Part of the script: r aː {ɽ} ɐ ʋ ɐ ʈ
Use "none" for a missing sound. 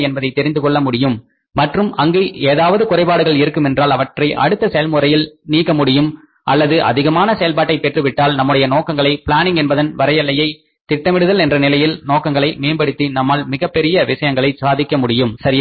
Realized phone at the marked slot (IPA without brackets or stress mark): l